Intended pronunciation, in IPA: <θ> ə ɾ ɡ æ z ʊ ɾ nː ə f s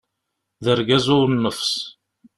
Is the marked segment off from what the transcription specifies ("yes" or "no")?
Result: yes